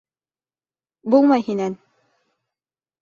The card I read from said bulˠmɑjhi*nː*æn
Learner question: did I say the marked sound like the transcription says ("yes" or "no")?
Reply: no